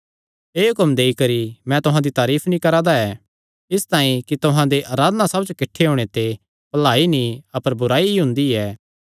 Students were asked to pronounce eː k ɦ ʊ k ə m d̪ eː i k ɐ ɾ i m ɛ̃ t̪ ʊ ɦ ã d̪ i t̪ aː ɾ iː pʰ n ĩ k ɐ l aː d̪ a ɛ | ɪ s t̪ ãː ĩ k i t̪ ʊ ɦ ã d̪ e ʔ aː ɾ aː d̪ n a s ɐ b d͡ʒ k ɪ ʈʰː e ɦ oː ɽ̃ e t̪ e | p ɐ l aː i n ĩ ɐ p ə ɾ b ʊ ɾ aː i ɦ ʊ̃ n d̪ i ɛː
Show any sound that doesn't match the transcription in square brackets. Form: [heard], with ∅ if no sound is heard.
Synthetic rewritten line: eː [∅] ɦ ʊ k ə m d̪ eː i k ɐ ɾ i m ɛ̃ t̪ ʊ ɦ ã d̪ i t̪ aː ɾ iː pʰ n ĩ k ɐ [ɾ] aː d̪ a ɛ | ɪ s t̪ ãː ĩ k i t̪ ʊ ɦ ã d̪ e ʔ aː ɾ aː d̪ n a s ɐ b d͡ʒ k ɪ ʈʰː e ɦ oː ɽ̃ e t̪ e | p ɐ l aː i n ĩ ɐ p ə ɾ b ʊ ɾ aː i ɦ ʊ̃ n d̪ i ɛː